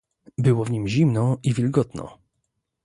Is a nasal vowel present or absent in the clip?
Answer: absent